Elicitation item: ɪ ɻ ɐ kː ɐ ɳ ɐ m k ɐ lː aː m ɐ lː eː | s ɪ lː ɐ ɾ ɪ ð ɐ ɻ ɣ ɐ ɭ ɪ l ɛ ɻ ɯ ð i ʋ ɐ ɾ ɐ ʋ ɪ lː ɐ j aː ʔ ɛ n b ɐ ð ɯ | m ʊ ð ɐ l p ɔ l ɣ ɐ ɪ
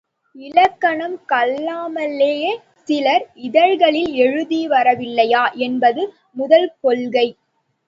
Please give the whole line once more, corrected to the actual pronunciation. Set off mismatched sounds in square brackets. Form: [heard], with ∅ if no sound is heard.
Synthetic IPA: ɪ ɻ ɐ kː ɐ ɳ ɐ m k ɐ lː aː m ɐ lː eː | s ɪ [l] ɐ ɾ ɪ ð ɐ ɻ ɣ ɐ ɭ ɪ l ɛ ɻ ɯ ð i ʋ ɐ ɾ ɐ ʋ ɪ lː ɐ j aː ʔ ɛ n b ɐ ð ɯ | m ʊ ð ɐ l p ɔ l ɣ ɐ ɪ

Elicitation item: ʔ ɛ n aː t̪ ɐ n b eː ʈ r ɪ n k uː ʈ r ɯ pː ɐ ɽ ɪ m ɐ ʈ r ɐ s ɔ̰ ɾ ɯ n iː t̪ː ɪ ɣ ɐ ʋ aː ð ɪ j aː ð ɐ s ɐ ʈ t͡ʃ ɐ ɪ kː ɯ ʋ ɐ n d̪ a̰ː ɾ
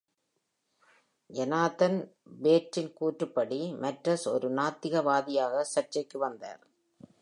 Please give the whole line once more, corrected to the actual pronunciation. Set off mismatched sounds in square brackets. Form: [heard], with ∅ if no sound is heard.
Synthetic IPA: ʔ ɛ n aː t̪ ɐ n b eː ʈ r ɪ n k uː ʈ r ɯ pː ɐ ɽ [i] m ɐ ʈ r ɐ s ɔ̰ ɾ ɯ n [aː] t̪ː ɪ ɣ ɐ ʋ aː ð ɪ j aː [ɣ] ɐ s ɐ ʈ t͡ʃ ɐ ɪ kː ɯ ʋ ɐ n d̪ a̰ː ɾ

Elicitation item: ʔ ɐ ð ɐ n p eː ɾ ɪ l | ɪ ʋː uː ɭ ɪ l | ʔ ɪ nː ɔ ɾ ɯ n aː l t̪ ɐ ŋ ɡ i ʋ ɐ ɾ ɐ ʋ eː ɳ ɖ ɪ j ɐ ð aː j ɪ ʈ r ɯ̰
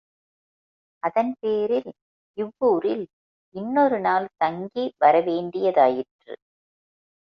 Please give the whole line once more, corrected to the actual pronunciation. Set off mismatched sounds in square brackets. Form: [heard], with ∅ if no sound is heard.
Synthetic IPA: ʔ ɐ ð ɐ n p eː ɾ ɪ l | ɪ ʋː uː [ɾ] ɪ l | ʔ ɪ nː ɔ ɾ ɯ n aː l t̪ ɐ ŋ ɡ i ʋ ɐ ɾ ɐ ʋ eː ɳ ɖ ɪ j ɐ ð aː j ɪ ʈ r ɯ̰

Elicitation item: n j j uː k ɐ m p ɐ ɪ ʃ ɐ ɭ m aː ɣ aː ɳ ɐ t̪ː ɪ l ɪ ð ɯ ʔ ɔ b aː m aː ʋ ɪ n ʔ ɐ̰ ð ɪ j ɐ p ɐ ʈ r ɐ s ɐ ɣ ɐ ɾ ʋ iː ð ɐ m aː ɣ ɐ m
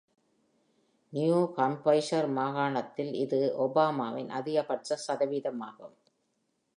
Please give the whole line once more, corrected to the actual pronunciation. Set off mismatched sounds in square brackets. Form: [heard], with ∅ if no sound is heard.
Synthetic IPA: n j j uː k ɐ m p ɐ ɪ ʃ ɐ [ɾ] m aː ɣ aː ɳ ɐ t̪ː ɪ l ɪ ð ɯ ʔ ɔ b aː m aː ʋ ɪ n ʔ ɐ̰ ð ɪ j ɐ p ɐ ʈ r ɐ s ɐ [ð] ɐ [∅] ʋ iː ð ɐ m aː ɣ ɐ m

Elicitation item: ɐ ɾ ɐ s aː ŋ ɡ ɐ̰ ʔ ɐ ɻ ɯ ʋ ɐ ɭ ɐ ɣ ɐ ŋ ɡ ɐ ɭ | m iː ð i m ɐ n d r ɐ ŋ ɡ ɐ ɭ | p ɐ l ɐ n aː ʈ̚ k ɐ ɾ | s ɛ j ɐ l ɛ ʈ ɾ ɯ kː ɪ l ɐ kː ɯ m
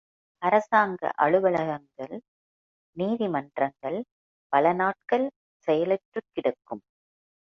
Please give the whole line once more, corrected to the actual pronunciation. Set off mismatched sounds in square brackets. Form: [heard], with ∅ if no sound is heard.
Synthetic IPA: ɐ ɾ ɐ s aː ŋ ɡ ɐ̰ ʔ ɐ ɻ ɯ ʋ ɐ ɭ ɐ ɣ ɐ ŋ ɡ ɐ ɭ | [n] iː ð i m ɐ n d r ɐ ŋ ɡ ɐ ɭ | p ɐ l ɐ n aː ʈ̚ k ɐ [ɭ] | s ɛ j ɐ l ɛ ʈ [r] ɯ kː ɪ [ɽ] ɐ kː ɯ m

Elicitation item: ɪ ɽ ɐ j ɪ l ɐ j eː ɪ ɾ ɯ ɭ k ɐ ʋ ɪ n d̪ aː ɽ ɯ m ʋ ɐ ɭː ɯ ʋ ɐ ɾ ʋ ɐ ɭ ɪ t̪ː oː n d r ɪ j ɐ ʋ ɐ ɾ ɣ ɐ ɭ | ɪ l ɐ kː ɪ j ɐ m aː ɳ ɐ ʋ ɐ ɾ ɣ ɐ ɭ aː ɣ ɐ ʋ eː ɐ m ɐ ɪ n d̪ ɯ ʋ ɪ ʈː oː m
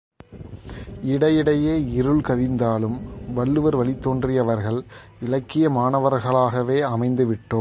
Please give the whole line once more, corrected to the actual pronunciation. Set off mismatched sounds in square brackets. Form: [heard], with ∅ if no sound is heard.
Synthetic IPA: ɪ ɽ ɐ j ɪ [ɽ] ɐ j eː ɪ ɾ ɯ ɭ k ɐ ʋ ɪ n d̪ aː [l] ɯ m ʋ ɐ ɭː ɯ ʋ ɐ ɾ ʋ ɐ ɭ ɪ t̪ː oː n d r ɪ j ɐ ʋ ɐ ɾ ɣ ɐ ɭ | ɪ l ɐ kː ɪ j ɐ m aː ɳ ɐ ʋ ɐ ɾ ɣ ɐ ɭ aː ɣ ɐ ʋ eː ɐ m ɐ ɪ n d̪ ɯ ʋ ɪ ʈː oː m

